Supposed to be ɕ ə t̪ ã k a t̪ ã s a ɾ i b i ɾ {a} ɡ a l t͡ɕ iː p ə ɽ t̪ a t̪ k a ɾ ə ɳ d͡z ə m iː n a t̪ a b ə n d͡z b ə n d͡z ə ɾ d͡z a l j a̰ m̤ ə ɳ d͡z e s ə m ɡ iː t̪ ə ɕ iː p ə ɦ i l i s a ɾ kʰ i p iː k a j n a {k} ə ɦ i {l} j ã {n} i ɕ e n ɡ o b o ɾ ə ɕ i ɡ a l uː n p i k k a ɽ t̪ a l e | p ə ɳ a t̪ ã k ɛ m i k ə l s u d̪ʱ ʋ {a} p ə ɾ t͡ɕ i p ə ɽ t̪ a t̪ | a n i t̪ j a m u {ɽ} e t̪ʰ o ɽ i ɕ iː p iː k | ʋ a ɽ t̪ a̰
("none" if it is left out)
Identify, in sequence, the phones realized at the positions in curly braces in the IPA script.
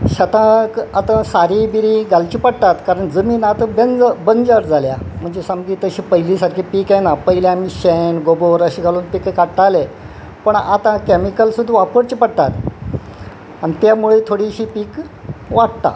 i, p, l, m, a, ɭ

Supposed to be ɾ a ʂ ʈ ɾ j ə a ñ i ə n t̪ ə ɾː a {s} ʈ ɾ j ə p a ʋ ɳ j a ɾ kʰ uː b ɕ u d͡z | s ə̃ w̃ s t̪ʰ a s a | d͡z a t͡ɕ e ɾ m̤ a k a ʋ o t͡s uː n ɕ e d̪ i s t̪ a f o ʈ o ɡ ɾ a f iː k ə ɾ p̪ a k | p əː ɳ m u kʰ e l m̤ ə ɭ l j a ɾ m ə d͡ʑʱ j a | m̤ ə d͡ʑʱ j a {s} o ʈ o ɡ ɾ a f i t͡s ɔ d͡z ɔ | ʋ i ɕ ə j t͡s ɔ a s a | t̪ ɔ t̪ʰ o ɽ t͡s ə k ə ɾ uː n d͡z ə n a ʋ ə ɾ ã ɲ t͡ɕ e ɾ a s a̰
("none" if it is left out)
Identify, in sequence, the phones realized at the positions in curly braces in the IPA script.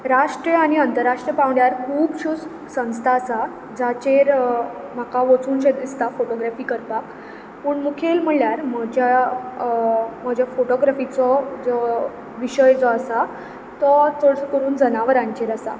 ʂ, f

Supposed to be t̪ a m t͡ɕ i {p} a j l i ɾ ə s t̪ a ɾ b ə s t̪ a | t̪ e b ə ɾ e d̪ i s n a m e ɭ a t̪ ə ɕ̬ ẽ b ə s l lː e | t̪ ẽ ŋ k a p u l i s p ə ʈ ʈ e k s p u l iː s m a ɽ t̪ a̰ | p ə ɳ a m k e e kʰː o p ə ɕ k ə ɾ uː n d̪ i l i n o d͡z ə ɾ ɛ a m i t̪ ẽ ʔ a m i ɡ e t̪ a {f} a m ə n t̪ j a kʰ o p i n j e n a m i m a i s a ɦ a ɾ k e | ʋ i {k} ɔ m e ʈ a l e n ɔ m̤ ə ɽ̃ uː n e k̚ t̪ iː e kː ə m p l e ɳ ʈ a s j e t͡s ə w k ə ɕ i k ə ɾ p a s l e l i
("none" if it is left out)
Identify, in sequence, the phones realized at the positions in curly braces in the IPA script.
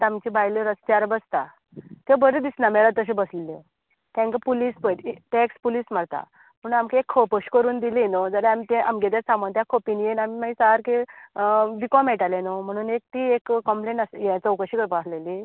b, s, k

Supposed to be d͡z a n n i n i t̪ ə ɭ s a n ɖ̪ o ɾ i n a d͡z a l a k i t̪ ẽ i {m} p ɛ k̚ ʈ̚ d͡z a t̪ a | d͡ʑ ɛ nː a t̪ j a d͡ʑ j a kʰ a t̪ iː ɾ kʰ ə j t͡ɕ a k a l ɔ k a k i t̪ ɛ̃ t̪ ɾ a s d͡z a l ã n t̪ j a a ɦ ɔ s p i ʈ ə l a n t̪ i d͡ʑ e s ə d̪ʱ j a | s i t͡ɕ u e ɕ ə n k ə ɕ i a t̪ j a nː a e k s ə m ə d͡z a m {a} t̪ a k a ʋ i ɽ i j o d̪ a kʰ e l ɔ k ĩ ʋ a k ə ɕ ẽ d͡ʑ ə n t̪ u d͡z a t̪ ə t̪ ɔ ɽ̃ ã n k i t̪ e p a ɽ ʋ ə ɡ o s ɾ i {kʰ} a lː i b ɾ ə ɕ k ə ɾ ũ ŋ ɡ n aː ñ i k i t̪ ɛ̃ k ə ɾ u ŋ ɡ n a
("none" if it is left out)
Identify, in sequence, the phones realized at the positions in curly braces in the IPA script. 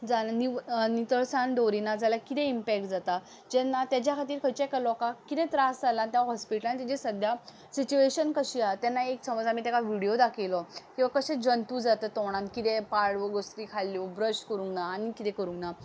m, i, kʰ

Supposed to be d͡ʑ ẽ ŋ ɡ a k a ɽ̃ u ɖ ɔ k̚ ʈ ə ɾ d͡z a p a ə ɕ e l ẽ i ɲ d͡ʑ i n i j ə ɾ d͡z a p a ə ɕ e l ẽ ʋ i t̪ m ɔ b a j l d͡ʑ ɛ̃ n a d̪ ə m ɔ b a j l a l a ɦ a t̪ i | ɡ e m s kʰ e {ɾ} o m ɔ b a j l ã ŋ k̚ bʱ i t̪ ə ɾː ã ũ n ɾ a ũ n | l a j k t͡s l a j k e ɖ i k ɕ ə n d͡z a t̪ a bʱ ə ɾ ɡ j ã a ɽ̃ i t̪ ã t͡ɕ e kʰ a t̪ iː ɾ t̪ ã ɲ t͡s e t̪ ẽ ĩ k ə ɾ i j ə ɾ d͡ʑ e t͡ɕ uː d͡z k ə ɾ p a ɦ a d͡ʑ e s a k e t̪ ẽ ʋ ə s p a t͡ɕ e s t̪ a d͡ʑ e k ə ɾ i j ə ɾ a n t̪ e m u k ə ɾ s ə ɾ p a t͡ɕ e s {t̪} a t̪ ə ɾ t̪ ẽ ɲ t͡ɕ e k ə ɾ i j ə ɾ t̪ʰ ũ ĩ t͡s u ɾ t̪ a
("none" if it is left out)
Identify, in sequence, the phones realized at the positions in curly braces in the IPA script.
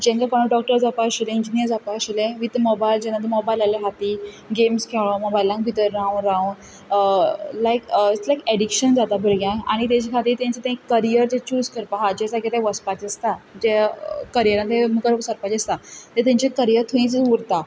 ɭ, t̪

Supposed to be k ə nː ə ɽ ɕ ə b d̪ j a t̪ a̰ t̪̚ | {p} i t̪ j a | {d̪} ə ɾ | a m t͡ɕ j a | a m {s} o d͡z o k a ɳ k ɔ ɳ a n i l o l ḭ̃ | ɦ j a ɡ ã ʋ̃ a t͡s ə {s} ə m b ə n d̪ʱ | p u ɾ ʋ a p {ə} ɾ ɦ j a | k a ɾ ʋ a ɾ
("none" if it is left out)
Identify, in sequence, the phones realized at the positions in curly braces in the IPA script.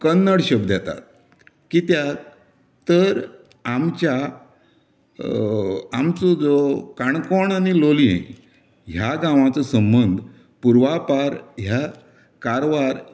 k, t̪, t͡s, s, a

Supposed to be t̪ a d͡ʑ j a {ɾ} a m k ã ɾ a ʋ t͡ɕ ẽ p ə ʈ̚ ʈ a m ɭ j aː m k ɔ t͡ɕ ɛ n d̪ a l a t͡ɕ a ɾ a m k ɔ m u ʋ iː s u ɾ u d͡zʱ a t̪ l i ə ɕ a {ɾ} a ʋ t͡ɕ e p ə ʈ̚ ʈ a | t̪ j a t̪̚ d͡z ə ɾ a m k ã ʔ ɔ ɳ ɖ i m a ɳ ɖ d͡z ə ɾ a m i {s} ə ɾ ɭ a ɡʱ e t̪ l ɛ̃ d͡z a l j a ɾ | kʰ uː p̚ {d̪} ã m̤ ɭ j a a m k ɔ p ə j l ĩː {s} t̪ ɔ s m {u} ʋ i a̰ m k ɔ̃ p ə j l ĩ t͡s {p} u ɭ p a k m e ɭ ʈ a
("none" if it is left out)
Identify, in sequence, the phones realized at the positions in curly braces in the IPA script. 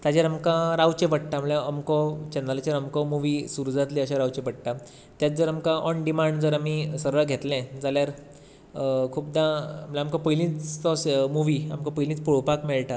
ɾ, ɾ, s, d̪, t͡s, u, p

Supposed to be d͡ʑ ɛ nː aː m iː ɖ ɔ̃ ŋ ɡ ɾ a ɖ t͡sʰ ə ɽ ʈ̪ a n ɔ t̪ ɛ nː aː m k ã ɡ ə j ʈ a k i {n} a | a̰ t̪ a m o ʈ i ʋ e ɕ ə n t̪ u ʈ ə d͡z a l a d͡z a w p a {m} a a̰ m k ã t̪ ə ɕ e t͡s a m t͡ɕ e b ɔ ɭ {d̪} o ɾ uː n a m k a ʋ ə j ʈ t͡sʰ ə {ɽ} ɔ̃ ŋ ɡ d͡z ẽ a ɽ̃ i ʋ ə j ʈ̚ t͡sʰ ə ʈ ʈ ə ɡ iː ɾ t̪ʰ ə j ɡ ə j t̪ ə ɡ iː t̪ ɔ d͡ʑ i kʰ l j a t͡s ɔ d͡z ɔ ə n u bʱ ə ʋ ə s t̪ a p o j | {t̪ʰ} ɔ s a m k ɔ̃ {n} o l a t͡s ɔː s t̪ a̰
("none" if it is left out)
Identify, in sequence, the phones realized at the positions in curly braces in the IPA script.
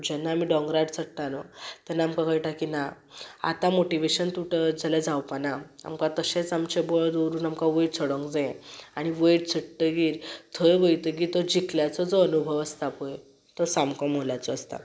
n, n, d̪, ɽ, t̪, m

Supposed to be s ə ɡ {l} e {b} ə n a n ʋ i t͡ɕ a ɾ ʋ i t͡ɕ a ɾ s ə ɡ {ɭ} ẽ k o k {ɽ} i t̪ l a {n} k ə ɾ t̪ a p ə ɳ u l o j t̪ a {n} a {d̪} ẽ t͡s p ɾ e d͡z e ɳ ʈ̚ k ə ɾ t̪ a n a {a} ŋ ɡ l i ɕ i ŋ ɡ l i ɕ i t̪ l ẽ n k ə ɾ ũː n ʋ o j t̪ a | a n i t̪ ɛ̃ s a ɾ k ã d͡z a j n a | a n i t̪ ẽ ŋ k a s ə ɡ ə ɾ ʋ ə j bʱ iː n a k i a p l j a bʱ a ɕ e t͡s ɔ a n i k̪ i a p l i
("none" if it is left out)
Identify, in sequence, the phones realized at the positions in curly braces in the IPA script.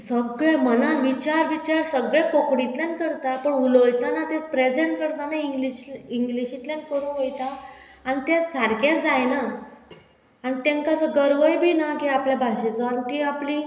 ɭ, m, ɭ, ɽ, n, n, t̪, i

